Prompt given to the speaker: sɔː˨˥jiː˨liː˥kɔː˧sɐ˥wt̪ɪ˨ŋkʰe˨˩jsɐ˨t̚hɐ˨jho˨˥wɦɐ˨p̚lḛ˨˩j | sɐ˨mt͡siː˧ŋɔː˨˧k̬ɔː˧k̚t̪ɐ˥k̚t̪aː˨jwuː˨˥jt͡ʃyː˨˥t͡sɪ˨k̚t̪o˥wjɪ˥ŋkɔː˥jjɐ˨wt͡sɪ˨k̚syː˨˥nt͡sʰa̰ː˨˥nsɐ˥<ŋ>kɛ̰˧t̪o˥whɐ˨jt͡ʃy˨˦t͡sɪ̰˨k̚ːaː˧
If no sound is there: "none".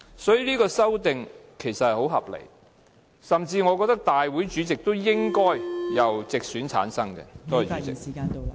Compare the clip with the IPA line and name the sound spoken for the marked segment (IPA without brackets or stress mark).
ŋ